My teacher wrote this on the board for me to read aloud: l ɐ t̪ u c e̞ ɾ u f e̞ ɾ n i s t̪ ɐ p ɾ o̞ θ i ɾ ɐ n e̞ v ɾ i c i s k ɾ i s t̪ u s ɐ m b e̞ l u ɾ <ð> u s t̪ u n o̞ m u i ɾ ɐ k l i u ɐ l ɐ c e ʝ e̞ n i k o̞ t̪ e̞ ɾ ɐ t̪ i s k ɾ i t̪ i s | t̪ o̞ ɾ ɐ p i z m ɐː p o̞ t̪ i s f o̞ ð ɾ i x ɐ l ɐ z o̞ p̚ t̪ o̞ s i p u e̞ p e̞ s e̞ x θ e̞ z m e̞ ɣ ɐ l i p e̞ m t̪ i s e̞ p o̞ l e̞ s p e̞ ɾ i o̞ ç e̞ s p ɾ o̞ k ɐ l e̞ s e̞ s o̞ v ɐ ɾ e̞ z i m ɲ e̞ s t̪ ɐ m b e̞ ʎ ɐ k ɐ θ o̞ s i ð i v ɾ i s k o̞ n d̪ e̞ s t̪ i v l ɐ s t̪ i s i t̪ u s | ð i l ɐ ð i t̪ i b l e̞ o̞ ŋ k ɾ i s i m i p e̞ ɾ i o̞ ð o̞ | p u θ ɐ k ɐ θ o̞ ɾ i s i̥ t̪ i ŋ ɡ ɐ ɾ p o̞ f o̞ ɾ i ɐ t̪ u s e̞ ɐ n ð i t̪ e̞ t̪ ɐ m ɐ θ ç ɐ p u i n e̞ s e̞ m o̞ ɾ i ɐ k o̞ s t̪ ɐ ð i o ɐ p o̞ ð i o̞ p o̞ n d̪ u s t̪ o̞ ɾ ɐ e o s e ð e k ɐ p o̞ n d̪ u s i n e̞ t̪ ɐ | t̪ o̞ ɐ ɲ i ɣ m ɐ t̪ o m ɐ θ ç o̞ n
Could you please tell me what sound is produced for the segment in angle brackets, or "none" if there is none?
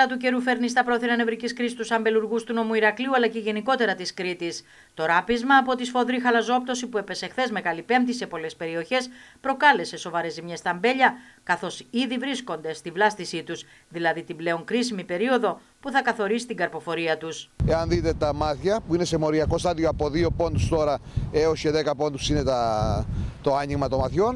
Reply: ɣ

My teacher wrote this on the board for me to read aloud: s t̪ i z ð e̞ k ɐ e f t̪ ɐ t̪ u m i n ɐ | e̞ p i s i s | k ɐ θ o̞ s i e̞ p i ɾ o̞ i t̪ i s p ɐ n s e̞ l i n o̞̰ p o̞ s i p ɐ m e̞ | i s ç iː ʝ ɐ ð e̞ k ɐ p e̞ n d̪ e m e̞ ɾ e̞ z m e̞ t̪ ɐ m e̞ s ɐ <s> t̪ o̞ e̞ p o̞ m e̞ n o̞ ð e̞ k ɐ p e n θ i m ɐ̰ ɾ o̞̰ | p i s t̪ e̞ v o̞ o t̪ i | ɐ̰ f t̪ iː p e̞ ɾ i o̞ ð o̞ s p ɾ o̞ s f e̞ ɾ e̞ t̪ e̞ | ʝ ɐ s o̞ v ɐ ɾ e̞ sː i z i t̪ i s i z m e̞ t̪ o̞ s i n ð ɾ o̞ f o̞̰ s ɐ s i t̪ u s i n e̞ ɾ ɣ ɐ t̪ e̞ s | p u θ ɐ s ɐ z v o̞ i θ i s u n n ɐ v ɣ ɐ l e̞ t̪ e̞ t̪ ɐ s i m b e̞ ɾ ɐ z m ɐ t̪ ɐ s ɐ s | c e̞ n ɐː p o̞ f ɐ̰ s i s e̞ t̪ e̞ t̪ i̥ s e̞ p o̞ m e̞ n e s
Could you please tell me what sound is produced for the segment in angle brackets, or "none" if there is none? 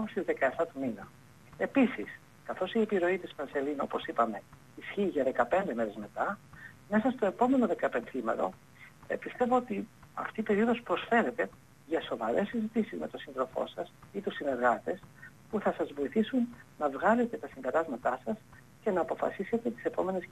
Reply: s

